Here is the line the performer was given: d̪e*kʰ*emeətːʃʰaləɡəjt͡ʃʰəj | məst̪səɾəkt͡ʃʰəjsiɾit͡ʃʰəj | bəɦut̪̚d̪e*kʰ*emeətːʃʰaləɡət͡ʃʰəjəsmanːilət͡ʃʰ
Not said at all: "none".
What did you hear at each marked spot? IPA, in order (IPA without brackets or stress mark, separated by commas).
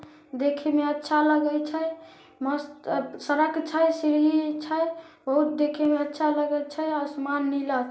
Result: kʰ, kʰ